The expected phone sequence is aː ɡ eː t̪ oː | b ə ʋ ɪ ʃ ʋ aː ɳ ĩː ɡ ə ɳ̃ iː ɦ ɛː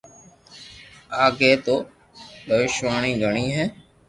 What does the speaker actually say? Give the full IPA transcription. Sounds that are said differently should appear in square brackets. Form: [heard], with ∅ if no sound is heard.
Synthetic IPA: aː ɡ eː t̪ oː | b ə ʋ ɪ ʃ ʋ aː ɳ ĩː ɡ ə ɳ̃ iː ɦ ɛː